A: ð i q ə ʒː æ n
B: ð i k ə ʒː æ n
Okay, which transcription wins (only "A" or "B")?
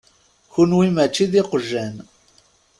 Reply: A